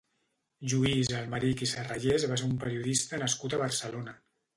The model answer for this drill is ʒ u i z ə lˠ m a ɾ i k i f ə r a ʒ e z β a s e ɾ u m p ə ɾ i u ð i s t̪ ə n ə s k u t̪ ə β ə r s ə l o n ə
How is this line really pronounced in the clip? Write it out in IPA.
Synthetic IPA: ʒ u i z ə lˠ m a ɾ i k i s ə r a ʒ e z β a s e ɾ u m p ə ɾ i u ð i s t̪ ə n ə s k u t̪ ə β ə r s ə l o n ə